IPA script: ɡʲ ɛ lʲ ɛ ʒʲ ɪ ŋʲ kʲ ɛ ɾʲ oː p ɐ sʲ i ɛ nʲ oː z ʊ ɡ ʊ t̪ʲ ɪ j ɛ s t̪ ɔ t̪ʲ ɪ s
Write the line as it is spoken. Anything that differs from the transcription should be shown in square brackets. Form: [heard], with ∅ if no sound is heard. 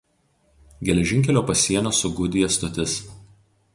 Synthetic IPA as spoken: ɡʲ ɛ lʲ ɛ ʒʲ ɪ ŋʲ kʲ ɛ [lʲ] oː p ɐ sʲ i ɛ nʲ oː [s] ʊ ɡ ʊ [d̪ʲ] ɪ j ɛ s t̪ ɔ t̪ʲ ɪ s